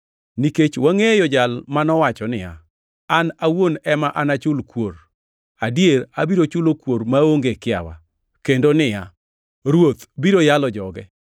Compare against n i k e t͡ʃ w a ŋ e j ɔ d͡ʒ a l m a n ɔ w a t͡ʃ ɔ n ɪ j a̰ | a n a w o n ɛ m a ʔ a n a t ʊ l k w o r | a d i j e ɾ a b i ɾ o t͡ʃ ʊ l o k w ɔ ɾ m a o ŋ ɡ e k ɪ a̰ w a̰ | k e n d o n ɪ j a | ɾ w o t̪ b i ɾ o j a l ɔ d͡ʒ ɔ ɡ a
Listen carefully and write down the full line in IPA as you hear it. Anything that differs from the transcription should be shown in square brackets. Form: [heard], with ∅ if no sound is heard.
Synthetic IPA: n i k e t͡ʃ w a ŋ e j ɔ d͡ʒ a l m a n ɔ w a t͡ʃ ɔ n ɪ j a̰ | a n a w o n ɛ m a ʔ a n a [t͡ʃ] ʊ l k w o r | a d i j e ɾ a b i ɾ o t͡ʃ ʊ l o k w [o] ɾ m a o ŋ ɡ e k ɪ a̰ w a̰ | k e n d o n ɪ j a | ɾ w o t̪ b i ɾ o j a l ɔ d͡ʒ ɔ ɡ [ɛ]